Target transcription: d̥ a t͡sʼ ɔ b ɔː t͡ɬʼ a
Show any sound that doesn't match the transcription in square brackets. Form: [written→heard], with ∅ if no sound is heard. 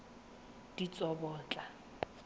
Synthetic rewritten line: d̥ [a→i] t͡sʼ ɔ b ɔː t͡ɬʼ a